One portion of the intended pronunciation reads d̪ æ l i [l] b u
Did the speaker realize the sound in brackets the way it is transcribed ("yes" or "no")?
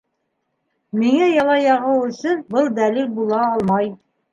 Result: yes